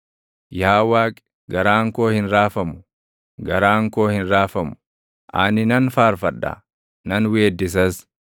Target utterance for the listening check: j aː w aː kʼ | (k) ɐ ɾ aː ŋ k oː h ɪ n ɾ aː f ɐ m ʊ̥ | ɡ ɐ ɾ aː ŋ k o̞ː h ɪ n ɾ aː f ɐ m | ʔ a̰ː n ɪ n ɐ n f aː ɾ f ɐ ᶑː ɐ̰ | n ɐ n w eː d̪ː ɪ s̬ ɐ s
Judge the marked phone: incorrect: ɡ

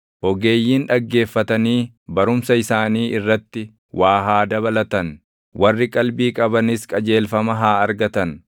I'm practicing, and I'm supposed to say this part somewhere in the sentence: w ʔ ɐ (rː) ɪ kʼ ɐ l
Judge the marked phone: correct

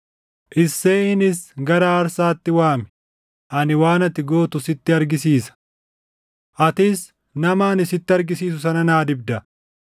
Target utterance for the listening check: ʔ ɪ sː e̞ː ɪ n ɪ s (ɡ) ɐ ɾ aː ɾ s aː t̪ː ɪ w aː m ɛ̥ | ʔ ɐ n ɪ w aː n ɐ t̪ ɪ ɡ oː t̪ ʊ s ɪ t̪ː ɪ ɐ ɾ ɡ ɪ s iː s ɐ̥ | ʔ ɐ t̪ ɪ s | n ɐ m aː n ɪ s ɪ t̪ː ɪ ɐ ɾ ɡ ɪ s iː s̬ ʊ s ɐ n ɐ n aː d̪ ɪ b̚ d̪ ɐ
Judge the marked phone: correct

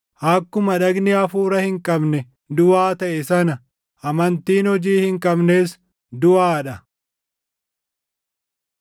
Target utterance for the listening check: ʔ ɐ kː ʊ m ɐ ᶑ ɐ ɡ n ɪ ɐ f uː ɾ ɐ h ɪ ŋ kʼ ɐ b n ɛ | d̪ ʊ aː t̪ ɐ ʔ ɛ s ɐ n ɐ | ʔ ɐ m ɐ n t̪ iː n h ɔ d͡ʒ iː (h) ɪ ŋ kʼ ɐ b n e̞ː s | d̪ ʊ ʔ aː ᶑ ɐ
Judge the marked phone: correct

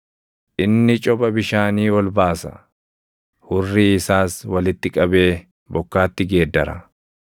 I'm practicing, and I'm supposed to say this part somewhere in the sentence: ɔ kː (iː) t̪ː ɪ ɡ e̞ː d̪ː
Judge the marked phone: incorrect: aː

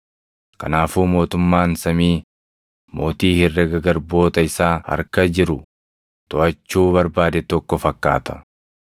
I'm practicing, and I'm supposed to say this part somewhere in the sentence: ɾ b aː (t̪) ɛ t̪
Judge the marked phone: incorrect: d̪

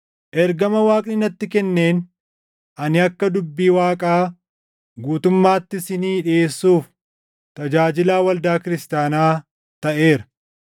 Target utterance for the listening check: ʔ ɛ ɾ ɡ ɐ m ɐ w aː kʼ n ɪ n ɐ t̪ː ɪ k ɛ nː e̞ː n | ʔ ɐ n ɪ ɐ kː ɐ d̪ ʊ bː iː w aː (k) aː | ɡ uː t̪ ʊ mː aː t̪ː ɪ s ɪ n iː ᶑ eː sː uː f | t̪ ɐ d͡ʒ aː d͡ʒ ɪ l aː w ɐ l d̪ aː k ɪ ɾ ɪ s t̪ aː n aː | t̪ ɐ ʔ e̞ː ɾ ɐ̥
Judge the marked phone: incorrect: kʼ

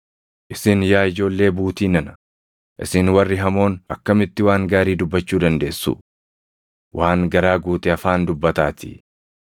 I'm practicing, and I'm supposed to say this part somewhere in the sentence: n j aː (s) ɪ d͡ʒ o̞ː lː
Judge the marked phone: incorrect: none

